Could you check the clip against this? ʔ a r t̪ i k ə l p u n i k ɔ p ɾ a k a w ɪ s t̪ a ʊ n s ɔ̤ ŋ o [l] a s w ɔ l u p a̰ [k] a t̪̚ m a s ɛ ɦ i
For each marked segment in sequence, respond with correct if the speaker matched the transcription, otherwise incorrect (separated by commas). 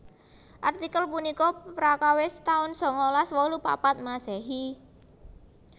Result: correct, incorrect